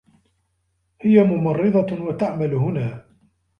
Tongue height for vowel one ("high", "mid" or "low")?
high